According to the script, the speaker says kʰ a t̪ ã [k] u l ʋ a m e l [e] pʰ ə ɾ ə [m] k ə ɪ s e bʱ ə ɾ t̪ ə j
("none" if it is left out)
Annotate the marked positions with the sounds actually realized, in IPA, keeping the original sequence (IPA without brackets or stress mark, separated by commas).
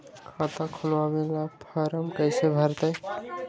kʰ, a, m